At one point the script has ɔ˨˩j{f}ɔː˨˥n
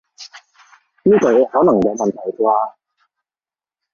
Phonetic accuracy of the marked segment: incorrect: h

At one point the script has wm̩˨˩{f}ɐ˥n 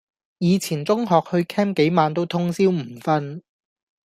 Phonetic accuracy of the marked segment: correct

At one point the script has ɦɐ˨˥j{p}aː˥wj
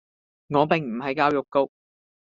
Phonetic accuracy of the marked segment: incorrect: k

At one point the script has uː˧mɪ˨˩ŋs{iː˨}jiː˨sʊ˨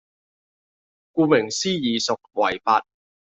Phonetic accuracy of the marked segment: incorrect: iː˥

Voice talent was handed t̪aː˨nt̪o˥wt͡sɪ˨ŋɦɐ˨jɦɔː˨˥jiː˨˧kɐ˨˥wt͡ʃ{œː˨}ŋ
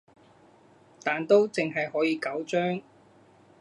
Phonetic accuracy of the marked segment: incorrect: œː˥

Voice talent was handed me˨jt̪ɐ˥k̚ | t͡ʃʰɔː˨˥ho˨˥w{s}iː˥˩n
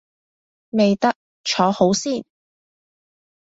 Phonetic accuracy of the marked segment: correct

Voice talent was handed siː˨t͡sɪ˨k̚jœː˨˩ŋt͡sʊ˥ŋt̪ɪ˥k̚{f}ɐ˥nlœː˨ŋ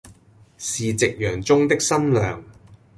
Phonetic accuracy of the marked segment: incorrect: s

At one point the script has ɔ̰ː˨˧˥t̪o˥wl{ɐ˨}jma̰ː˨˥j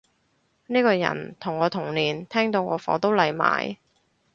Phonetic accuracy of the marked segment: correct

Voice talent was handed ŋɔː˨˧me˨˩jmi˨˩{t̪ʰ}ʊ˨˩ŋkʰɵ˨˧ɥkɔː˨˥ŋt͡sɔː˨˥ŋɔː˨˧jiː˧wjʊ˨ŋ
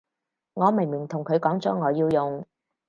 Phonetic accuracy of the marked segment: correct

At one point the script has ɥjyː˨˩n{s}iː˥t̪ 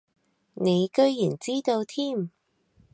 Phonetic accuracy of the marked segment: incorrect: t͡s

